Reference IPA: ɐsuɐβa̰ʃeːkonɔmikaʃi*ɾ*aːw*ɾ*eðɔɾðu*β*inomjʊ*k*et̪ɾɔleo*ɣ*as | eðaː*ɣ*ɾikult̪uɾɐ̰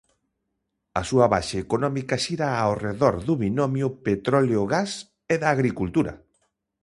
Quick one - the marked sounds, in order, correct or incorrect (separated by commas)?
correct, incorrect, correct, incorrect, correct, correct